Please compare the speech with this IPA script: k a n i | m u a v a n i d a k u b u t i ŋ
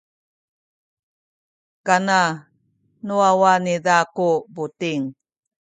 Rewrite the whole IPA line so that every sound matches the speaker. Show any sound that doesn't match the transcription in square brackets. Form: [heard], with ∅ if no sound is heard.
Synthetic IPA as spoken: k a n [a] | [n] u a [w] a n i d a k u b u t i ŋ